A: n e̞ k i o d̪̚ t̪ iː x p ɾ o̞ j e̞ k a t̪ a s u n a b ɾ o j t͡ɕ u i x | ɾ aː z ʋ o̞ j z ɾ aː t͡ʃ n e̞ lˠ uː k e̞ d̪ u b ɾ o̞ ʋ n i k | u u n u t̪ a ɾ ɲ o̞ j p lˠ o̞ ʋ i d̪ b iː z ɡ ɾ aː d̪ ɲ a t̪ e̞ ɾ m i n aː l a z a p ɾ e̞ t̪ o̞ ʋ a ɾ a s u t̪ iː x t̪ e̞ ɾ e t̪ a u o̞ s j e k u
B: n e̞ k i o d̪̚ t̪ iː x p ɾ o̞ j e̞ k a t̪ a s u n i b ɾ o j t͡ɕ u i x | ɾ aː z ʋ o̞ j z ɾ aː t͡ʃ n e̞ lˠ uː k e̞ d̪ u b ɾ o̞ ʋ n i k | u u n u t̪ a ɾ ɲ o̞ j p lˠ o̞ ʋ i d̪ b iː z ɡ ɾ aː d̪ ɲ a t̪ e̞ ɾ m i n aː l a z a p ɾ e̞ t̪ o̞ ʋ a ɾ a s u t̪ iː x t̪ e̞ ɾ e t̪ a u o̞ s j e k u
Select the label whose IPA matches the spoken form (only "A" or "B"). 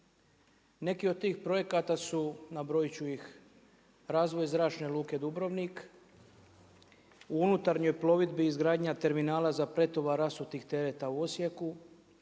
A